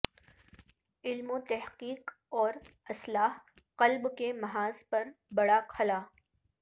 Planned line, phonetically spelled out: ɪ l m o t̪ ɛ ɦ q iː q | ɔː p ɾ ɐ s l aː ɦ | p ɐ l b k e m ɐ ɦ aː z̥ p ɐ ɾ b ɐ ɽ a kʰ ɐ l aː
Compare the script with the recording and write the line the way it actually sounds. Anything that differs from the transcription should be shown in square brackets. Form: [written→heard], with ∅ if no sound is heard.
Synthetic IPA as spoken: ɪ l m o t̪ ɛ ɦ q iː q | ɔː [p→∅] ɾ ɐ s l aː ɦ | [p→q] ɐ l b k e m ɐ ɦ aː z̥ p ɐ ɾ b ɐ ɽ a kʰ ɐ l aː

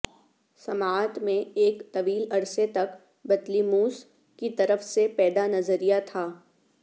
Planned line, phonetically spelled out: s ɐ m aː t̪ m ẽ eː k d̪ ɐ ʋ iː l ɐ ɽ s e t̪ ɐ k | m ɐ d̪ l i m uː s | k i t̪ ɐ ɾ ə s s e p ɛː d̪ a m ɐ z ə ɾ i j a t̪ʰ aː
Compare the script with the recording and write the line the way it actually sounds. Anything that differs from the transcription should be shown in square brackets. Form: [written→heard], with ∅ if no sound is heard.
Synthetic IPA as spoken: s ɐ m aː t̪ m ẽ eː k [d̪→t̪] ɐ ʋ iː l ɐ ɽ s e t̪ ɐ k | [m→b] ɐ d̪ l i m uː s | k i t̪ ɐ ɾ ə [s→f] s e p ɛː d̪ a [m→n] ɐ z ə ɾ i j a t̪ʰ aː

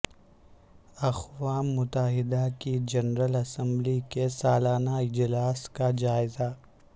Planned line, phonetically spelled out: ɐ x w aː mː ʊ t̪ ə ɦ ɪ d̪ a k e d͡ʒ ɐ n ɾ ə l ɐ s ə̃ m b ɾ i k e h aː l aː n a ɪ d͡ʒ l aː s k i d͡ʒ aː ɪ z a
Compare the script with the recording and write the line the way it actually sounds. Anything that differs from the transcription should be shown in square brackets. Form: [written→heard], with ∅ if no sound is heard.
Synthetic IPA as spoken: ɐ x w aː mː ʊ t̪ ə ɦ ɪ d̪ a k [e→i] d͡ʒ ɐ n ɾ ə l ɐ s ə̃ m b [ɾ→l] i k e [h→s] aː l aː n a ɪ d͡ʒ l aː s k [i→a] d͡ʒ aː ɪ z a

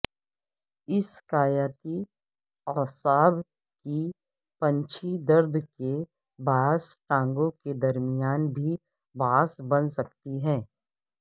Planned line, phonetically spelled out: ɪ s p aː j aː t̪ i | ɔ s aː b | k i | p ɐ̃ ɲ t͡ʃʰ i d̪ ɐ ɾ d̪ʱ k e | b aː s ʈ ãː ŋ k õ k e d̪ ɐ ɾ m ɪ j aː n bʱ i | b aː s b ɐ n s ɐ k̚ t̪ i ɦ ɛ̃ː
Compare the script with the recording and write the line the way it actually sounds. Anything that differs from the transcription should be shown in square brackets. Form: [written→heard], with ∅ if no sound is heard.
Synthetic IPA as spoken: ɪ s [p→k] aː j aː t̪ i | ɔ s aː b | k i | p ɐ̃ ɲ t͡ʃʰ i d̪ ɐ ɾ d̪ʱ k e | b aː s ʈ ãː ŋ [k→ɡ] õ k e d̪ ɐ ɾ m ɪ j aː n bʱ i | b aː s b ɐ n s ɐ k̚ t̪ i ɦ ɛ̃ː

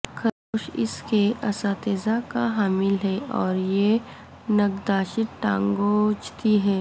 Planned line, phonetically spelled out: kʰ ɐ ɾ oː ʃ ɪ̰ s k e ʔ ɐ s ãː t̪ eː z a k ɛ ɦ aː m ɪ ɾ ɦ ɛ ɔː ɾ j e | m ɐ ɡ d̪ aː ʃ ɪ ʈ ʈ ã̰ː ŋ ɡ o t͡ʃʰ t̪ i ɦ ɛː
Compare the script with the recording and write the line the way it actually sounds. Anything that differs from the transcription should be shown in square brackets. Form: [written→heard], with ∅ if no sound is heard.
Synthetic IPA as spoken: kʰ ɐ ɾ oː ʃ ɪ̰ s k e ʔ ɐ s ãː t̪ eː z a k [ɛ→a] ɦ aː m ɪ [ɾ→l] ɦ ɛ ɔː ɾ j e | [m→n] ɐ ɡ d̪ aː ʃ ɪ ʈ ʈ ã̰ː ŋ ɡ o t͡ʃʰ t̪ i ɦ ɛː

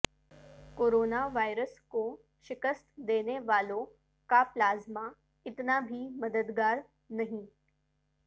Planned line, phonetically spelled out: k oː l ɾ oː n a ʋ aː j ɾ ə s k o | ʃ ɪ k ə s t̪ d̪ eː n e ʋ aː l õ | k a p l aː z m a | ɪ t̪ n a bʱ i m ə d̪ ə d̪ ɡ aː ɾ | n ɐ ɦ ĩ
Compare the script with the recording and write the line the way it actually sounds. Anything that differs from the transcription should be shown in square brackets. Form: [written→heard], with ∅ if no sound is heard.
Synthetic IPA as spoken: k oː [l→∅] ɾ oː n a ʋ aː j ɾ ə s k o | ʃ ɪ k ə s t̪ d̪ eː n e ʋ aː l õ | k a p l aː z m a | ɪ t̪ n a bʱ i m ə d̪ ə d̪ ɡ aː ɾ | n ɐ ɦ ĩ

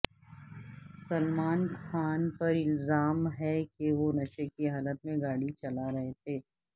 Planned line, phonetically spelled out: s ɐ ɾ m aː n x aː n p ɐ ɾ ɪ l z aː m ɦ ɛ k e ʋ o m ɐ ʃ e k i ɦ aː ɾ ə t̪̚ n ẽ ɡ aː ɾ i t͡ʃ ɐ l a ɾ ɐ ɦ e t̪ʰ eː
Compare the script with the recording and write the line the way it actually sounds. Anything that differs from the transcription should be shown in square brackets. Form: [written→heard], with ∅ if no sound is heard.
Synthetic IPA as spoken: s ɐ [ɾ→l] m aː n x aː n p ɐ ɾ ɪ l z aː m ɦ ɛ k e ʋ o [m→n] ɐ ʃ e k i ɦ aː [ɾ→l] ə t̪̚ [n→m] ẽ ɡ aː [ɾ→ɽ] i t͡ʃ ɐ l a ɾ ɐ ɦ e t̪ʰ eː

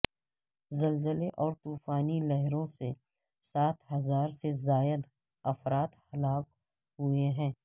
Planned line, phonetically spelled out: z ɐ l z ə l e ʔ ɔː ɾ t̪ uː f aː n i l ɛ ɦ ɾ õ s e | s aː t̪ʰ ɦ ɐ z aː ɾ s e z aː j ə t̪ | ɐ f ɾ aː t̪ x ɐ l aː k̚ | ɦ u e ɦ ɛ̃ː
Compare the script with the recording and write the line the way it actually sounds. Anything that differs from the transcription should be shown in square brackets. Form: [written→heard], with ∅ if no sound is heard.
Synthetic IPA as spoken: z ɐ l z ə l e ʔ ɔː ɾ t̪ uː f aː n i l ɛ ɦ ɾ õ s e | s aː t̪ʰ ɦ ɐ z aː ɾ s e z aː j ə [t̪→d̪] | ɐ f ɾ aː t̪ [x→h] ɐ l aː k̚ | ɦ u e ɦ ɛ̃ː

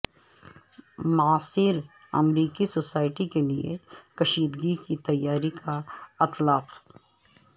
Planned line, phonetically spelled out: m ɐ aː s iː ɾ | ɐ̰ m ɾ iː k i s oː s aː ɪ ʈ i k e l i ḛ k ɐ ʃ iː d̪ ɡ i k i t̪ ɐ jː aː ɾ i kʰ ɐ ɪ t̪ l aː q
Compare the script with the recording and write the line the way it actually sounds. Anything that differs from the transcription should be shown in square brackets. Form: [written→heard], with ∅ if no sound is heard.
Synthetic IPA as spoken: m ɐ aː s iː ɾ | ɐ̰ m ɾ iː k i s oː s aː ɪ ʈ i k e l i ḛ k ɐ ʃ iː d̪ ɡ i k i t̪ ɐ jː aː ɾ i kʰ [ɐ→a] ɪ t̪ l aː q

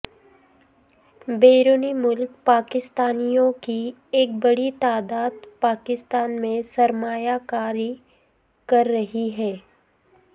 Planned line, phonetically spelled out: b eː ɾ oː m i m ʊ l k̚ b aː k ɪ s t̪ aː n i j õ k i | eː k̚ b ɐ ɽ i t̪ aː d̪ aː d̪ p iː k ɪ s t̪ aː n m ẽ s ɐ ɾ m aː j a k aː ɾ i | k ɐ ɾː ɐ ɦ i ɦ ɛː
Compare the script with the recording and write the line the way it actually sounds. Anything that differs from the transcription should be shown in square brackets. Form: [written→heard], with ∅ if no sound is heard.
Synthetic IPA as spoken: b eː ɾ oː [m→n] i m ʊ l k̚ [b→p] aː k ɪ s t̪ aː n i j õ k i | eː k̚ b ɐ ɽ i t̪ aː d̪ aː d̪ p [iː→aː] k ɪ s t̪ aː n m ẽ s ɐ ɾ m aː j a k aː ɾ i | k ɐ ɾː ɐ ɦ i ɦ ɛː

